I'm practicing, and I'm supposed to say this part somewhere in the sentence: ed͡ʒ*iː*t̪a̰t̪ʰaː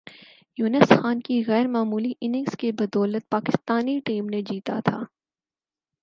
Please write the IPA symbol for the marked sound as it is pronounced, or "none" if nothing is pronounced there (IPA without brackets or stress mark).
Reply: iː